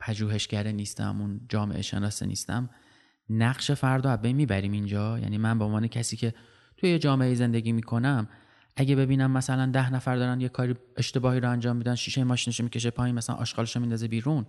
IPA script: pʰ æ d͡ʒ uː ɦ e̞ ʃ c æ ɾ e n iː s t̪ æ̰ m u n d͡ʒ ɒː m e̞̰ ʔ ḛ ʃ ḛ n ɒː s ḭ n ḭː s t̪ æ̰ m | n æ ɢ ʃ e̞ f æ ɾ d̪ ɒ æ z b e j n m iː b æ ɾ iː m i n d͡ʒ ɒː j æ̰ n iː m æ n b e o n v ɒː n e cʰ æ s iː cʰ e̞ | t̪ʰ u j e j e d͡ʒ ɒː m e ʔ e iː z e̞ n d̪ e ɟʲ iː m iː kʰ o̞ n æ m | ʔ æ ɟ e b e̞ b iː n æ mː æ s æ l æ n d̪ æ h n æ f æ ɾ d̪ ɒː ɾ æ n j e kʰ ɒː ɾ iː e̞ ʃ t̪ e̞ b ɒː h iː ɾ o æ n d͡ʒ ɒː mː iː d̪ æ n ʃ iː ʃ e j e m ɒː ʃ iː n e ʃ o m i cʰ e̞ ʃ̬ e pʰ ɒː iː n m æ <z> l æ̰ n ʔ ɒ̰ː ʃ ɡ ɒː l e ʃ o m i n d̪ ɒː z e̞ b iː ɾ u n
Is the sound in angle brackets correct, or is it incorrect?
incorrect